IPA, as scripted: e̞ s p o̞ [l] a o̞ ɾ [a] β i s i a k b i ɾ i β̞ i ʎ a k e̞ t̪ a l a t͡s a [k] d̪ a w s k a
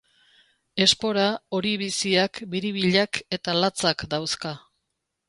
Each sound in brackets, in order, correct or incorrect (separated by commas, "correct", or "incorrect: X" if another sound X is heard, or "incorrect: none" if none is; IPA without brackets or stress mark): incorrect: ɾ, incorrect: i, correct